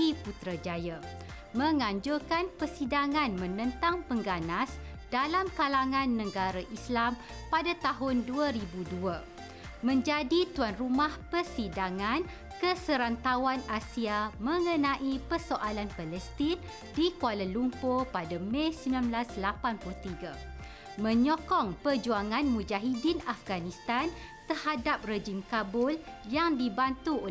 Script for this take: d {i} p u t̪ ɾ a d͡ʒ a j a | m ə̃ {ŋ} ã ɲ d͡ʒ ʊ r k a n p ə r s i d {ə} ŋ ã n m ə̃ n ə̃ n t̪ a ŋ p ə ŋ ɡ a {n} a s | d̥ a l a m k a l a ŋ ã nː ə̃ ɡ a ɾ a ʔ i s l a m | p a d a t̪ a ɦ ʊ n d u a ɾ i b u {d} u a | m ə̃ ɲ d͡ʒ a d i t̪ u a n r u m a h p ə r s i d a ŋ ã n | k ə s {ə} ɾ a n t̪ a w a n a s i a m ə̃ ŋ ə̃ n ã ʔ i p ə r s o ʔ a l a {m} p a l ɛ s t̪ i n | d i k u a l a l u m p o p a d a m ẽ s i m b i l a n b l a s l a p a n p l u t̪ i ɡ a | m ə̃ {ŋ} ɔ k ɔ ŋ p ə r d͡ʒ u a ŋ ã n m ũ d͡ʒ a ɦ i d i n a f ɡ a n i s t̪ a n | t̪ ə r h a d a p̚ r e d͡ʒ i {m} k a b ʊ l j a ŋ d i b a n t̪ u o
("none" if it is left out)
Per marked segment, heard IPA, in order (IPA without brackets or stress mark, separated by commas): i, ŋ, a, n, d, ə, n, ɲ, m